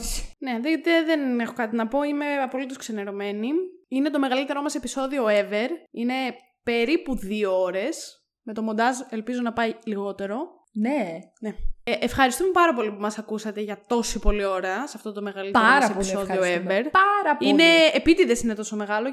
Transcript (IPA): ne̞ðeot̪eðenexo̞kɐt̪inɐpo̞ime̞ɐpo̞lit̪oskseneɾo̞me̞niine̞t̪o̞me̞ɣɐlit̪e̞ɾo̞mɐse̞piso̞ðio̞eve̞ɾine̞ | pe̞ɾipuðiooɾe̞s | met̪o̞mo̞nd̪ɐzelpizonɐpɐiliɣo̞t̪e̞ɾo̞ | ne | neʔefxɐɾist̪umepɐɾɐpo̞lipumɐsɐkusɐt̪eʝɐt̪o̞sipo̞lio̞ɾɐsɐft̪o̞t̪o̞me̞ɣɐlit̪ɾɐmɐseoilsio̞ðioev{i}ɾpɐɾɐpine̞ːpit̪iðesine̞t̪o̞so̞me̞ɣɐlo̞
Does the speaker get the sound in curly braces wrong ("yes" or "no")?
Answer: yes